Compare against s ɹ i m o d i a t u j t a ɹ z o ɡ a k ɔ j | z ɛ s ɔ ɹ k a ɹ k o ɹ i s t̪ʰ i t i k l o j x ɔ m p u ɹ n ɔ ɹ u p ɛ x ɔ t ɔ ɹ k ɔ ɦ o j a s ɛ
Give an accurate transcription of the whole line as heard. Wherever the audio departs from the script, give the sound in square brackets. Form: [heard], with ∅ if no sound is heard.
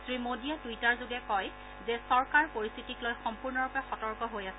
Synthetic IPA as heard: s ɹ i m o d i a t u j t a ɹ z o ɡ [ɛ] k ɔ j | z ɛ s ɔ ɹ k a ɹ [p] o ɹ i s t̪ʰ i t i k l o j x ɔ m p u ɹ n ɔ ɹ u p ɛ x ɔ t ɔ ɹ k ɔ ɦ o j a s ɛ